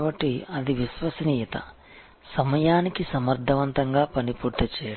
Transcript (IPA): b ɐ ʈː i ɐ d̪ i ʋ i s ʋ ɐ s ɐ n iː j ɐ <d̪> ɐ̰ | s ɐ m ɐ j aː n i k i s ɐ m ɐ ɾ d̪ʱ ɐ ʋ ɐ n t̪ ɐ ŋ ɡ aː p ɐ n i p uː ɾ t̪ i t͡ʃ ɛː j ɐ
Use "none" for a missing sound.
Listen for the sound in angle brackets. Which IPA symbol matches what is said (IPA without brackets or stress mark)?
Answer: t̪